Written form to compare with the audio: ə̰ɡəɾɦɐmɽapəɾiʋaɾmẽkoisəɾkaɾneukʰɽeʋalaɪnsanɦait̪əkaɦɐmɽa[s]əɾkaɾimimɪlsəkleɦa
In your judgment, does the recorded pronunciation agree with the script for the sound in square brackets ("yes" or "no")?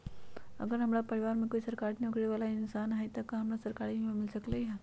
yes